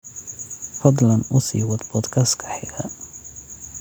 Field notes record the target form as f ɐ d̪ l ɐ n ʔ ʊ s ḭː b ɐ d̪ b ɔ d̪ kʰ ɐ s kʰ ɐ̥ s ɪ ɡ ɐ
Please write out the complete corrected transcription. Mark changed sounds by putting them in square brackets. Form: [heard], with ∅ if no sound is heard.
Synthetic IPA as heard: f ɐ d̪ l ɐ n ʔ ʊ s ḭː [w] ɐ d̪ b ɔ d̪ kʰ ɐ s kʰ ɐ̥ [ħ] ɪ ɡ ɐ

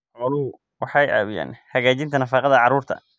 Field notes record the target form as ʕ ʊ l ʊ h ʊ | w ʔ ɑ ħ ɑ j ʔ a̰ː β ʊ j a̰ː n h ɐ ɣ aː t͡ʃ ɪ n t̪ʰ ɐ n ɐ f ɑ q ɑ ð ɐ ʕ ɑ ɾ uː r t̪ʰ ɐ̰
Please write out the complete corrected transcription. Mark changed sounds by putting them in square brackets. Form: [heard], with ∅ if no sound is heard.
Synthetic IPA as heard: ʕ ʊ l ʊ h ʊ | w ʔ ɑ ħ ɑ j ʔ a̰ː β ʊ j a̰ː n h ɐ ɣ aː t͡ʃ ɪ n t̪ʰ ɐ n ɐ f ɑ q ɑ ð ɐ ʕ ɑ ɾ uː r t̪ʰ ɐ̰

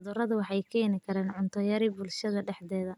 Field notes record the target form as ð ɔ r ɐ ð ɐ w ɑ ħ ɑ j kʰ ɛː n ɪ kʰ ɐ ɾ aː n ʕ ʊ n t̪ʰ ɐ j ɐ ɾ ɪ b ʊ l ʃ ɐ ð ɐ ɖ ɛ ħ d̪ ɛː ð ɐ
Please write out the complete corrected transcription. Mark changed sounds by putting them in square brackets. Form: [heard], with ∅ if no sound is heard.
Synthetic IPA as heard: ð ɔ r ɐ ð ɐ w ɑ ħ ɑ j kʰ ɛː n ɪ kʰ ɐ ɾ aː n ʕ ʊ n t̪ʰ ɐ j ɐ ɾ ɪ b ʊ l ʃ ɐ ð ɐ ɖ ɛ ħ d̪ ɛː ð ɐ

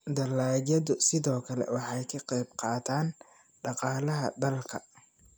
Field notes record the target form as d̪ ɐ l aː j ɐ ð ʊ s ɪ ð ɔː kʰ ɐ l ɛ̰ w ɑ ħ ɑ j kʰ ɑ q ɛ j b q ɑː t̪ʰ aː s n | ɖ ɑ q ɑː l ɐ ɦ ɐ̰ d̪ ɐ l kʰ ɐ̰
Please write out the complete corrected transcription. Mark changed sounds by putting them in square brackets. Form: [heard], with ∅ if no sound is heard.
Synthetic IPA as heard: d̪ ɐ l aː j ɐ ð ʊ s ɪ ð ɔː kʰ ɐ l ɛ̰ w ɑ ħ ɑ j kʰ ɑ q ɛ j b q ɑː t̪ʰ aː [∅] n | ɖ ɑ q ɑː l ɐ ɦ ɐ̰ d̪ ɐ l kʰ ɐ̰

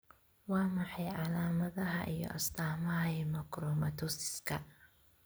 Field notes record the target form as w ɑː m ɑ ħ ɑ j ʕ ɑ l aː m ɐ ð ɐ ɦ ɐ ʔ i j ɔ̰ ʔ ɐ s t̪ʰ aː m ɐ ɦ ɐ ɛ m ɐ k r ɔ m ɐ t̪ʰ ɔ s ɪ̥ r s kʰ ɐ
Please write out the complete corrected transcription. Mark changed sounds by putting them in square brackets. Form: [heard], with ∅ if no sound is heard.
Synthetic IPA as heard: w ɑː m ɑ ħ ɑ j ʕ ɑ l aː m ɐ ð ɐ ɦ ɐ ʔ i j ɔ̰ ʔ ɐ s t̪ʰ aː m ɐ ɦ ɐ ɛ m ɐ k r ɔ m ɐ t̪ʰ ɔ s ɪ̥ [∅] s kʰ ɐ

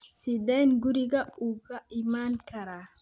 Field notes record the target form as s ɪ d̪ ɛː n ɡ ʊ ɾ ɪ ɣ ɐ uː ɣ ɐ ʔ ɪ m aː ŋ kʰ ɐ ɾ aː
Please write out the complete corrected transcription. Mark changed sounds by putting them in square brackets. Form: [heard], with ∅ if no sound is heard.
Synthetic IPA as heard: s ɪ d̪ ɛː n ɡ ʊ ɾ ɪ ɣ ɐ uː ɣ ɐ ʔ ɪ m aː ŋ kʰ ɐ ɾ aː

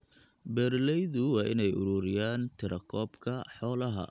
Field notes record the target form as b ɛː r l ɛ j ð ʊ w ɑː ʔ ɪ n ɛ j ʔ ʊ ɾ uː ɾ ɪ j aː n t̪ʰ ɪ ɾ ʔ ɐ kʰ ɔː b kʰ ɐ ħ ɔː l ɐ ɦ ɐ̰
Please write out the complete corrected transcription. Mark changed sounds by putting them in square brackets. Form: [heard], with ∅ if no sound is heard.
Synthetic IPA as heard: b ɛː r l ɛ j ð ʊ w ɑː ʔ ɪ n ɛ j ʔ ʊ ɾ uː ɾ ɪ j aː n t̪ʰ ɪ ɾ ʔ ɐ kʰ ɔː b kʰ ɐ ħ ɔː l ɐ ɦ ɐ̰

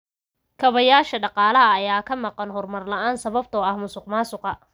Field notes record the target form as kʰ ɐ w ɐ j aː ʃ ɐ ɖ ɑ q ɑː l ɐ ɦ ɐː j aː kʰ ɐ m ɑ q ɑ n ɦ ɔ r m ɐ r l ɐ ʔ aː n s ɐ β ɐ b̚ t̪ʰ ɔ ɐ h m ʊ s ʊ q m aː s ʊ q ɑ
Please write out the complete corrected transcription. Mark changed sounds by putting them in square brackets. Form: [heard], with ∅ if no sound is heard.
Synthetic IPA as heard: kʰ ɐ [β] ɐ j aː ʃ ɐ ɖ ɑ q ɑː l ɐ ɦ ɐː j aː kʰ ɐ m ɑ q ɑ n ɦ ɔ r m ɐ r l ɐ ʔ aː n s ɐ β ɐ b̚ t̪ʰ ɔ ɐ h m ʊ s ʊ q m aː s ʊ q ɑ

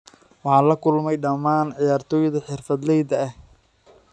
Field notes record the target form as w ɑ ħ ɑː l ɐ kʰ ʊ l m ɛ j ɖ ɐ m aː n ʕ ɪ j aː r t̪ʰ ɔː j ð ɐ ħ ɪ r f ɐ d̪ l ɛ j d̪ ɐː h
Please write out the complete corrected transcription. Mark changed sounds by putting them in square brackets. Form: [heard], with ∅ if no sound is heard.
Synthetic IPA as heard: w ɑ ħ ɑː l ɐ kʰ ʊ l m ɛ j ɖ ɐ m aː n ʕ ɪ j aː r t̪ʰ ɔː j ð ɐ ħ ɪ r f ɐ d̪ l ɛ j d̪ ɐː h

